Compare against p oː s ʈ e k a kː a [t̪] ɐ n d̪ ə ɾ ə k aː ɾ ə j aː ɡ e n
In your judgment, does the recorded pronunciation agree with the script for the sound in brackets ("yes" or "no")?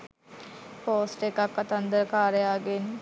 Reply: yes